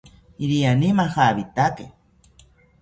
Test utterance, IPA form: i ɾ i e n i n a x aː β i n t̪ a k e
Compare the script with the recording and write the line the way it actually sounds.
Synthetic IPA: i ɾ i a n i m a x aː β i t̪ a k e

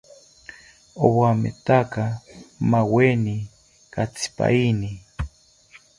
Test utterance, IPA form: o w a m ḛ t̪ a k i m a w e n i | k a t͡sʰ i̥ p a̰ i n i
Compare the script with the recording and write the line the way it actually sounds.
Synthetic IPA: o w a m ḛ t̪ a k a m a w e n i | k a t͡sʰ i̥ p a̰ i n i

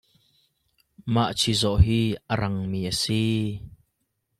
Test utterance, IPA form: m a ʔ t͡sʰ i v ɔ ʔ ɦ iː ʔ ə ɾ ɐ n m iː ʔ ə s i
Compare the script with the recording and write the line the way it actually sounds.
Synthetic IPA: m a ʔ t͡sʰ i z ɔ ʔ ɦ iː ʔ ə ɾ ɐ ŋ m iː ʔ ə s i

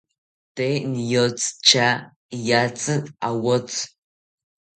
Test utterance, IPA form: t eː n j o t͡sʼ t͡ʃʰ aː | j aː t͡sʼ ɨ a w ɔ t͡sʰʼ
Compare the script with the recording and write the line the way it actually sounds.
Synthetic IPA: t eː n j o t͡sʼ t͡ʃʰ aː | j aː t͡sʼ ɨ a w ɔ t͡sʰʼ

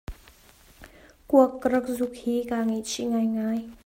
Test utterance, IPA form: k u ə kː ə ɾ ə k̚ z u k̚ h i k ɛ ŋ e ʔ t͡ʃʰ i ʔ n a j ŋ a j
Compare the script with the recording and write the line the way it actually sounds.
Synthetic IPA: k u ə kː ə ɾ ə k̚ z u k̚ h i k a ŋ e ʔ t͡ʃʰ i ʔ ŋ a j ŋ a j

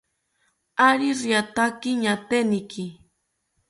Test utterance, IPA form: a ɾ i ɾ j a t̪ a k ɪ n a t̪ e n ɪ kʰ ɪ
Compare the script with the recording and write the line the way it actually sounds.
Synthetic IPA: a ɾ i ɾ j a t̪ a k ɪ ɲ a t̪ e n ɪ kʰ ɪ

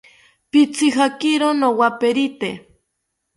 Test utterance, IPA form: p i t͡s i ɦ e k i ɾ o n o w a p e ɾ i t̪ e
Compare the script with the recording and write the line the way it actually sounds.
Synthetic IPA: p i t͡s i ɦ a k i ɾ o n o w a p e ɾ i t̪ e

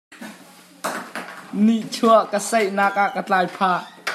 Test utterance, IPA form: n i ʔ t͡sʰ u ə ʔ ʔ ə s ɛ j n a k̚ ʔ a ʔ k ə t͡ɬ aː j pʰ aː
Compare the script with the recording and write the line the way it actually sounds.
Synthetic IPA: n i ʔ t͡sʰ u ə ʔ k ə s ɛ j n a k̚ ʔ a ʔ k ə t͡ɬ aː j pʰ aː

